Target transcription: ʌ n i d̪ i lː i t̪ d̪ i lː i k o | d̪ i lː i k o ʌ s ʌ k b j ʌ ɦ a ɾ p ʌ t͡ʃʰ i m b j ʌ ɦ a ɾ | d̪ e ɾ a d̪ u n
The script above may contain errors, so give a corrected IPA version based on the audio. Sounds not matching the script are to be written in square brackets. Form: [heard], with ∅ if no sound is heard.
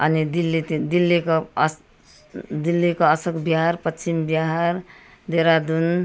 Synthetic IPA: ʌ n i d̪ i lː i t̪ d̪ i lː i k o | d̪ i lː i k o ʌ s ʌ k b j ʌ ɦ a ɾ p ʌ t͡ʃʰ i m b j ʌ ɦ a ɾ | d̪ e ɾ a d̪ u n